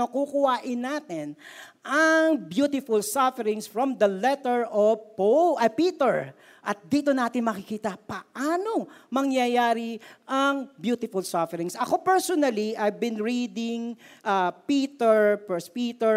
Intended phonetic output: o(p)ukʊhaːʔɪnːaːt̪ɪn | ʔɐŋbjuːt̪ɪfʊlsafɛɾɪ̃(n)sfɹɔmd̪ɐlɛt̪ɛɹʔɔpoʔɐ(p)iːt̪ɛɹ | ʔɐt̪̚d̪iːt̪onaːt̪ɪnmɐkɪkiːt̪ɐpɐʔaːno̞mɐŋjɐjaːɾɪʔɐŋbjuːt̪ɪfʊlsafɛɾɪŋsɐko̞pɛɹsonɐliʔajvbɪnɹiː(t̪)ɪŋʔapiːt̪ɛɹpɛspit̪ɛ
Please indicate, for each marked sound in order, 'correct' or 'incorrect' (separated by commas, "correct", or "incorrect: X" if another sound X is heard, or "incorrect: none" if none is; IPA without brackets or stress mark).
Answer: incorrect: k, incorrect: ŋ, correct, incorrect: d̪